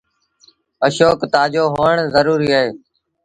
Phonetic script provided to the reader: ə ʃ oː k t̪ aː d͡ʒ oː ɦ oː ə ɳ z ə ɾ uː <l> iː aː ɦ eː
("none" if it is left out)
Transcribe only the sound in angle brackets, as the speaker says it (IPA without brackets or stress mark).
ɾ